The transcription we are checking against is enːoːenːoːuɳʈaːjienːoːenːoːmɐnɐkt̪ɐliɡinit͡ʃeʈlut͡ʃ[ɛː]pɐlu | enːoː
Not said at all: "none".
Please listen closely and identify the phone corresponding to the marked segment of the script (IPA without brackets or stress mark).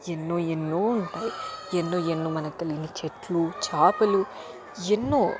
aː